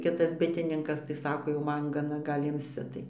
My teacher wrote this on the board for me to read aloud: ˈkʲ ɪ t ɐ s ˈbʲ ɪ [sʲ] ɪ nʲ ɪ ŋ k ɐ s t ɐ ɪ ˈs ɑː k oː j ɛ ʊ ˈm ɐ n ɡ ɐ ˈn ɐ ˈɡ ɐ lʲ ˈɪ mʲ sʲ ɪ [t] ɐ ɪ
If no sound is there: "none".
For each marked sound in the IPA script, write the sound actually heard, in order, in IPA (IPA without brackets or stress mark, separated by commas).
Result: tʲ, t